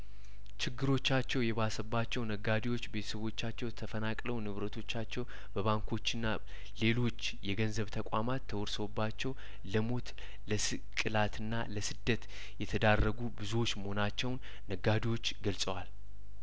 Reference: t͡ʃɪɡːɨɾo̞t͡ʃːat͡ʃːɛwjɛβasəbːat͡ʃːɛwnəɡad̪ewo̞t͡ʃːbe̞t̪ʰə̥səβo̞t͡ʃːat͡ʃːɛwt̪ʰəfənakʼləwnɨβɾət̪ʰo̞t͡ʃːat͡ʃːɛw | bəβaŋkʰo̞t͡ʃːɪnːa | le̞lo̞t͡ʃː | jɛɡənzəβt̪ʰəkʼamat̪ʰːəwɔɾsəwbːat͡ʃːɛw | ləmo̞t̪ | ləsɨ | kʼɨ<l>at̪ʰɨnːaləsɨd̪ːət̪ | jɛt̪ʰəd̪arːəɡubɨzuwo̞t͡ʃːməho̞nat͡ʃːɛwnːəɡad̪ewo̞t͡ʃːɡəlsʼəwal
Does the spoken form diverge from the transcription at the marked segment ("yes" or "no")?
no